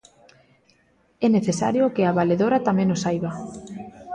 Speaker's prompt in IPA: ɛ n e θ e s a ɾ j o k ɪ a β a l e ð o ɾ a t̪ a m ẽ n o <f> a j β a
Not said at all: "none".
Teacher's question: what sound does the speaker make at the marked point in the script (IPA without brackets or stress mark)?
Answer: s